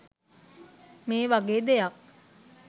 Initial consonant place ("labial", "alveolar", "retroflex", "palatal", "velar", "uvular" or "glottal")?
labial